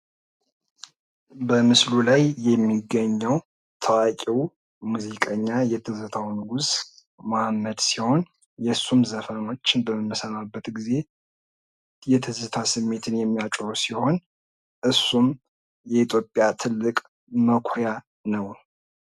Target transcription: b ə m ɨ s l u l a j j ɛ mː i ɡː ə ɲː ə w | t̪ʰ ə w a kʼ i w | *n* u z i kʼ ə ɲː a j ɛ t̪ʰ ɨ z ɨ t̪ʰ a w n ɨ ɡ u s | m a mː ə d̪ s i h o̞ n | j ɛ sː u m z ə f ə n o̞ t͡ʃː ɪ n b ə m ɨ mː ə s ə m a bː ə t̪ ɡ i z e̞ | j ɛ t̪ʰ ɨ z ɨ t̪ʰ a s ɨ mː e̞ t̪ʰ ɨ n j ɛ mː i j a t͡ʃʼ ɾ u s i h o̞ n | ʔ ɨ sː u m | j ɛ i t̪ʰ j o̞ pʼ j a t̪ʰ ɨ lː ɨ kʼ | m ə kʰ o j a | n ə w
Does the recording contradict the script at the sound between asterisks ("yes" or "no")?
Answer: yes